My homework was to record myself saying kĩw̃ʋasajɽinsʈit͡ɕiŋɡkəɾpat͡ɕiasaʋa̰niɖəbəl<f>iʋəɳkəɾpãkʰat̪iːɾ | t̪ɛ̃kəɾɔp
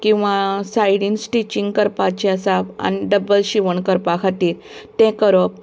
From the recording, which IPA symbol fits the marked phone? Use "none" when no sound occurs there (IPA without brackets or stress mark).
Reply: ɕ